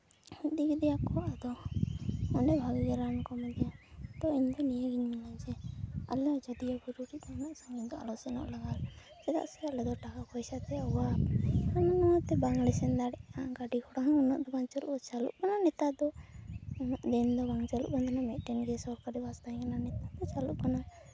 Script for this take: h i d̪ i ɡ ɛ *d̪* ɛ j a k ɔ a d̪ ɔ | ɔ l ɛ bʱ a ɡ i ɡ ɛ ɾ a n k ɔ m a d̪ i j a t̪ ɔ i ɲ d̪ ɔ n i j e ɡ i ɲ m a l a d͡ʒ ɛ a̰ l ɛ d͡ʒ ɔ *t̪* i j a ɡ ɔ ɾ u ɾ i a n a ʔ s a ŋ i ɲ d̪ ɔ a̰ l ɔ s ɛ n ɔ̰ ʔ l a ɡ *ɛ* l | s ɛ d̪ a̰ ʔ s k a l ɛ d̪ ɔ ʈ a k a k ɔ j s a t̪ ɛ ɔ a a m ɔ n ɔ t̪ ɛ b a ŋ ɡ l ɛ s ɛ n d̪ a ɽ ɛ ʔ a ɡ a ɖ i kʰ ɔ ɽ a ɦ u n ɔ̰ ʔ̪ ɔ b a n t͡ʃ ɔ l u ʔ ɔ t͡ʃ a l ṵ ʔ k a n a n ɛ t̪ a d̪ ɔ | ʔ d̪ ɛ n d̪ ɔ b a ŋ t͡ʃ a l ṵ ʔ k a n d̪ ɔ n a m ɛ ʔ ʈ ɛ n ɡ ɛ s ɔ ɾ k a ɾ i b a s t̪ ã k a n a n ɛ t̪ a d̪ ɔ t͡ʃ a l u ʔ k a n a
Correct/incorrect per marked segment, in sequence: correct, incorrect: d̪, incorrect: a

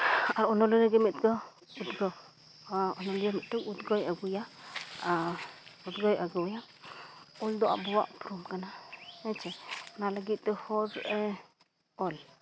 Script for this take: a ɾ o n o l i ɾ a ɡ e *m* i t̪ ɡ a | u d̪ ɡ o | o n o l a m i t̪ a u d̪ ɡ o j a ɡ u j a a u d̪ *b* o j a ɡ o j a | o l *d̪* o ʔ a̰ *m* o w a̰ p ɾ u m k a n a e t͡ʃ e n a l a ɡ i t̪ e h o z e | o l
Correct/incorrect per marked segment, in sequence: correct, incorrect: ɡ, correct, incorrect: b

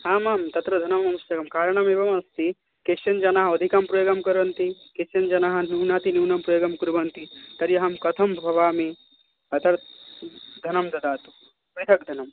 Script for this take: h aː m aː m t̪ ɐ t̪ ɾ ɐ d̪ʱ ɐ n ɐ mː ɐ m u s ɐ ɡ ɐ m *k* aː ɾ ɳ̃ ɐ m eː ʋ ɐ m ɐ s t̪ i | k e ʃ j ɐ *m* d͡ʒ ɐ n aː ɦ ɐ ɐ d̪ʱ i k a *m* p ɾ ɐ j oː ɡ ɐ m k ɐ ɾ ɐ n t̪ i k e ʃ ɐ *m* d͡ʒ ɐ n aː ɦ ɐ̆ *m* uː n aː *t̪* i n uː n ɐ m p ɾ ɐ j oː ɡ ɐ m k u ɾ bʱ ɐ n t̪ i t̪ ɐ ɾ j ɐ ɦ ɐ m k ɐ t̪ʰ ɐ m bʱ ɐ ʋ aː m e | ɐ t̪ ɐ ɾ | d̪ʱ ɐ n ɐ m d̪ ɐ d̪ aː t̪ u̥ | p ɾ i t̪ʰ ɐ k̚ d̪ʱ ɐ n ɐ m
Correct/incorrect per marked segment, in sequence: correct, incorrect: n, correct, incorrect: n, incorrect: n, correct

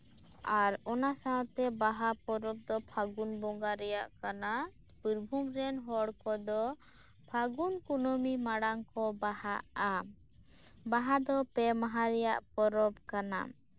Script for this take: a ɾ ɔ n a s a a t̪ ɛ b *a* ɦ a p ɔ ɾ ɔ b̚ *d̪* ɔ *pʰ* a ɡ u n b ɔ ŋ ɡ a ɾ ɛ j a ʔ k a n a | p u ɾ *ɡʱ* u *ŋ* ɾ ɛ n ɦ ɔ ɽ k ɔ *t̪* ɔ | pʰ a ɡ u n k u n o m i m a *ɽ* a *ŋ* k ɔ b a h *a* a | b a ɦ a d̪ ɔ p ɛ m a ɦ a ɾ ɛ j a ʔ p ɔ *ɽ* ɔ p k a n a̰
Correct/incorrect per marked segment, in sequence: correct, correct, correct, incorrect: bʱ, incorrect: m, incorrect: d̪, correct, correct, correct, incorrect: ɾ

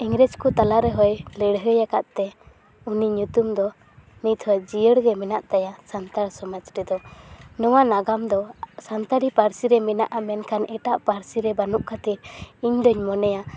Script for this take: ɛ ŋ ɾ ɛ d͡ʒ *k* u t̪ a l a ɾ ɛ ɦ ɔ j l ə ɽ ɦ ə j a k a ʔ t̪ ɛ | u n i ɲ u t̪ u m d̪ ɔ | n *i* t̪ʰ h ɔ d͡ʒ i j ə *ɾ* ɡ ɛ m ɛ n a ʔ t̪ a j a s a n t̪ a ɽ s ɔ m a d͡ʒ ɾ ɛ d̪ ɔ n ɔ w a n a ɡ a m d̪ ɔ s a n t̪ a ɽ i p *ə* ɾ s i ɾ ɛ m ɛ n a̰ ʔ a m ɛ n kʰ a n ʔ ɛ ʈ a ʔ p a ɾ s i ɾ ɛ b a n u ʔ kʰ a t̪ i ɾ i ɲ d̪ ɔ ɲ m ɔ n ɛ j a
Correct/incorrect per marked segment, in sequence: correct, correct, incorrect: ɽ, incorrect: a

